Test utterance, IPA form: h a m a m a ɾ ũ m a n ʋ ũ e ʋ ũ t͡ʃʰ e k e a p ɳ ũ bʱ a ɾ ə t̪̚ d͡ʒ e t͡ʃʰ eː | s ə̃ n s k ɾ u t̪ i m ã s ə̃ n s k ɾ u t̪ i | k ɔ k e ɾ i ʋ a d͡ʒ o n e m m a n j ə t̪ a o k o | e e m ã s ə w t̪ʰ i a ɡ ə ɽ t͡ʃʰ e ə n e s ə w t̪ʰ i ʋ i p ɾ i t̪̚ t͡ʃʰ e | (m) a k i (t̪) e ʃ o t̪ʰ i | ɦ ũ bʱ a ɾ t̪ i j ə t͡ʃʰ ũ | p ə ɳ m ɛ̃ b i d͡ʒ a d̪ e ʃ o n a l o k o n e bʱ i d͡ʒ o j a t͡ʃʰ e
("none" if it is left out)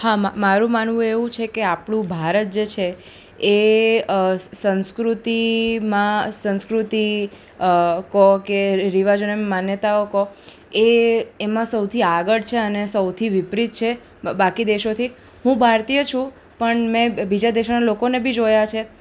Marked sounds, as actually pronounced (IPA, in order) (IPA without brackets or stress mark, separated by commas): b, d̪